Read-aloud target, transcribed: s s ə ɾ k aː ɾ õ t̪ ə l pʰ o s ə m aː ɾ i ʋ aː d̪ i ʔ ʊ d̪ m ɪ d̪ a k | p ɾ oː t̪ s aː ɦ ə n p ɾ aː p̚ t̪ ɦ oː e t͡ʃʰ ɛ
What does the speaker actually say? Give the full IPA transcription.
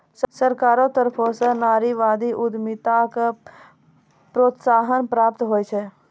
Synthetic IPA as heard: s s ə ɾ k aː ɾ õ t̪ ə ɾ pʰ o s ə n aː ɾ i ʋ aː d̪ i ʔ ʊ d̪ m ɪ t̪ a k | p ɾ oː t̪ s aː ɦ ə n p ɾ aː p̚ t̪ ɦ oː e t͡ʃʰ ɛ